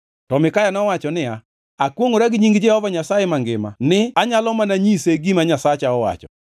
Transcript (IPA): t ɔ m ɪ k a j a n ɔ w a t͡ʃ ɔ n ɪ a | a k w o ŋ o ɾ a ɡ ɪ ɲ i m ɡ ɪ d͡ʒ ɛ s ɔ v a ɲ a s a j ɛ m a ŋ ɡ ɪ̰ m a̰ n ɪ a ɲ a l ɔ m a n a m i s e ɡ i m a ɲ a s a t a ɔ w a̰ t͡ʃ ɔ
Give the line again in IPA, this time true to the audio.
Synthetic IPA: t ɔ m ɪ k a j a n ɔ w a t͡ʃ ɔ n ɪ a | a k w o ŋ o ɾ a ɡ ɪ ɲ i ŋ ɡ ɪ d͡ʒ ɛ h ɔ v a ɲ a s a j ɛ m a ŋ ɡ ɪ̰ m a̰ n ɪ a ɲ a l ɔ m a n a ɲ i s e ɡ i m a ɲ a s a t͡ʃ a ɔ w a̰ t͡ʃ ɔ